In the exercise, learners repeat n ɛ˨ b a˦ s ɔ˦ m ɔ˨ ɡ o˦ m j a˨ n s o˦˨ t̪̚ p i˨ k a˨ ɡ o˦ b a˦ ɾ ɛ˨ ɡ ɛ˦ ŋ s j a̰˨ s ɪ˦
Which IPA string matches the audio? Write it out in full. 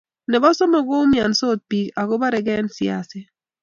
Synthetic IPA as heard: n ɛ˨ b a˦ s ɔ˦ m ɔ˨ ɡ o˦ m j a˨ n s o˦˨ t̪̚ p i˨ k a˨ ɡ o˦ b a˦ ɾ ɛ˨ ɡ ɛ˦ n s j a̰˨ s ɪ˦